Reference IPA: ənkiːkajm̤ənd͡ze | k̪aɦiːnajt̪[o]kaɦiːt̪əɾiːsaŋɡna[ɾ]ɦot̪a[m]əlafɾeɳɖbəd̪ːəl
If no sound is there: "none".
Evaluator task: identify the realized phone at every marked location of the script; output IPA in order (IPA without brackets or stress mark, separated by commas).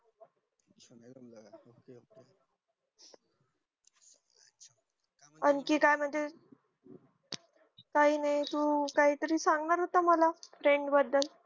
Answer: u, ɾ, m